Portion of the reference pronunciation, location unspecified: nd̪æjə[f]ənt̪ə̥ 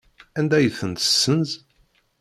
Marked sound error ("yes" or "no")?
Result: yes